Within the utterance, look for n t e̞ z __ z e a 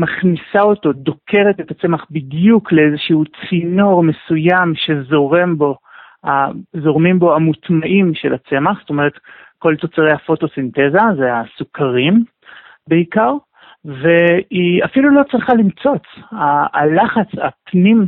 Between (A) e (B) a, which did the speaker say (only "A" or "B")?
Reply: B